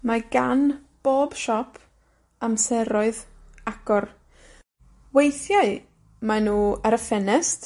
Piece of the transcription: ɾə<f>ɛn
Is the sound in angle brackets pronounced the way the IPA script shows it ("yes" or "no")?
yes